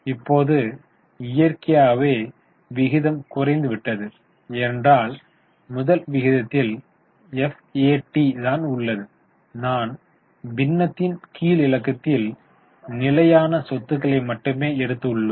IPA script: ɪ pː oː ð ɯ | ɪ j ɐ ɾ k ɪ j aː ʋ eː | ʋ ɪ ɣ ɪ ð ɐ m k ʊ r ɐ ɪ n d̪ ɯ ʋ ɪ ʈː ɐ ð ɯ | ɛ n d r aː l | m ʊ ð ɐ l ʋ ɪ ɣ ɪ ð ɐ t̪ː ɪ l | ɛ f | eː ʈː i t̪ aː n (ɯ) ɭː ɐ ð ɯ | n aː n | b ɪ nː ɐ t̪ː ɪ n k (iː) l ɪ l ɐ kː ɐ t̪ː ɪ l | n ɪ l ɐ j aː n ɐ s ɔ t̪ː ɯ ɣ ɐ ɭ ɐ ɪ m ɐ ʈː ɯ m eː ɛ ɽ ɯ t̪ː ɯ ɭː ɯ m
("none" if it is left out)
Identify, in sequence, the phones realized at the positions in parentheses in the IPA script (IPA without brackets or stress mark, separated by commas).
ʊ, iː